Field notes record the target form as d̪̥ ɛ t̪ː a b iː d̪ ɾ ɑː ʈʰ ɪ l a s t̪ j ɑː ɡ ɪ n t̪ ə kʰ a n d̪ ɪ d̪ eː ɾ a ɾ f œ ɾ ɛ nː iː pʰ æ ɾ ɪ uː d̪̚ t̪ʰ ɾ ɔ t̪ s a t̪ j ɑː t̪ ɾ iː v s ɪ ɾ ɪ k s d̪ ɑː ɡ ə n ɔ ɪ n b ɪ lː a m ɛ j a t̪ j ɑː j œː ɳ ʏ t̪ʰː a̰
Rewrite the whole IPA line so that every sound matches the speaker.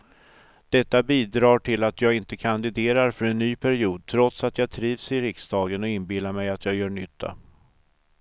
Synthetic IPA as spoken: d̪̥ ɛ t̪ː a b iː d̪ ɾ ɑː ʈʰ ɪ l a t̪ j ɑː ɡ ɪ n t̪ ə kʰ a n d̪ ɪ d̪ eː ɾ a ɾ f œ ɾ ɛ nː yː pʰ æ ɾ ɪ uː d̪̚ t̪ʰ ɾ ɔ t̪ s a t̪ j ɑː t̪ʰ ɾ iː v s ɪ ɾ ɪ k s d̪ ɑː ɡ ə n ɔ ɪ n b ɪ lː a m ɛ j a t̪ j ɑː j œː ɳ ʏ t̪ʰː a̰